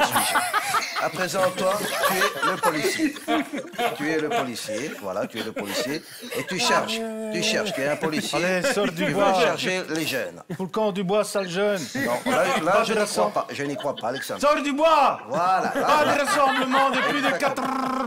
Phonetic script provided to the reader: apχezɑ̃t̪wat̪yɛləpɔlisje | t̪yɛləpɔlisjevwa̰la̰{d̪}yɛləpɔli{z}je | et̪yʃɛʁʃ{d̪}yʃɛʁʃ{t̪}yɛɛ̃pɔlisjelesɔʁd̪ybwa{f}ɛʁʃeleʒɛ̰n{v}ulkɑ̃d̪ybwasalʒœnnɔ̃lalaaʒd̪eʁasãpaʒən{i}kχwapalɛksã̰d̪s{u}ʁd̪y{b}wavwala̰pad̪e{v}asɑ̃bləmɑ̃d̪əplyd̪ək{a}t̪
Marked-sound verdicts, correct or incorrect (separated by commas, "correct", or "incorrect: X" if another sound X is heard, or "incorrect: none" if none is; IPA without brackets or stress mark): incorrect: t̪, incorrect: s, incorrect: t̪, correct, incorrect: ʃ, incorrect: f, correct, incorrect: ɔ, correct, incorrect: ʁ, correct